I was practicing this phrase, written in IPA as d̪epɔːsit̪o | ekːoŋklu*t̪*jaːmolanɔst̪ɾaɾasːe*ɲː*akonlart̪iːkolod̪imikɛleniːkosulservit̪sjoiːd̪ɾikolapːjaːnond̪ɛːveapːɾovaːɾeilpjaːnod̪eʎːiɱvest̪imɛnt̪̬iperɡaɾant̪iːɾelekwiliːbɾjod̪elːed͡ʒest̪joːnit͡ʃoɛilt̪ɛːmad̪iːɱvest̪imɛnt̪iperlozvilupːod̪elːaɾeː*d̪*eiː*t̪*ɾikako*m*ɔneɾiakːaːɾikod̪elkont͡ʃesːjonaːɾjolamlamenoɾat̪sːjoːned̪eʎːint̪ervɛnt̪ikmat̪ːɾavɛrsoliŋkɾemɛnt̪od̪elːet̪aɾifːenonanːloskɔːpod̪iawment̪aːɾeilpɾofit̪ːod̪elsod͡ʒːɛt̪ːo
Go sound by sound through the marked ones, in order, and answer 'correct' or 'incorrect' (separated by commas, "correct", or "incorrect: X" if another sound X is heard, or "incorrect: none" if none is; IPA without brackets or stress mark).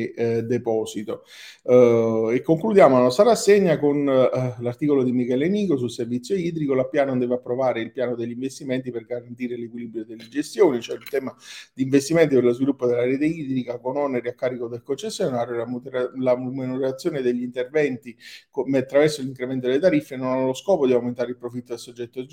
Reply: incorrect: d̪, correct, incorrect: t̪, incorrect: d̪, incorrect: n